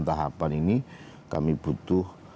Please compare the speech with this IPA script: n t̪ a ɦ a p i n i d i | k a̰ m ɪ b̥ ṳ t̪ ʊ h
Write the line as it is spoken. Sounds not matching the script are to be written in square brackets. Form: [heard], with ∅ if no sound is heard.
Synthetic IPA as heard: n t̪ a ɦ a p [a] n i [n] i | k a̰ m [i] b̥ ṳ t̪ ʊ h